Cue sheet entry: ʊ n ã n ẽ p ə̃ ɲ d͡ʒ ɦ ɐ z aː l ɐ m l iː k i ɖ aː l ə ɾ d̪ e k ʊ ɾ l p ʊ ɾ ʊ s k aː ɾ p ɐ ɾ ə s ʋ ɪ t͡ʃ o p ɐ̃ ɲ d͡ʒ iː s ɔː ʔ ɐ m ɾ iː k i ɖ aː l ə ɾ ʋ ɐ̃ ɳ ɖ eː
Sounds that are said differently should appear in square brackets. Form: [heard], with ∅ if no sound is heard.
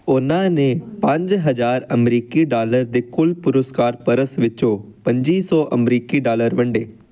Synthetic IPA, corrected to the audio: ʊ n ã n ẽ p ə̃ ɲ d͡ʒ ɦ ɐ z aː [ɾ] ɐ m [ɾ] iː k i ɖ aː l ə ɾ d̪ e k ʊ [∅] l p ʊ ɾ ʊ s k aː ɾ p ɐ ɾ ə s ʋ ɪ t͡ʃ o p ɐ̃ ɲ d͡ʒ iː s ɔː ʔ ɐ m ɾ iː k i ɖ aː l ə ɾ ʋ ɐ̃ ɳ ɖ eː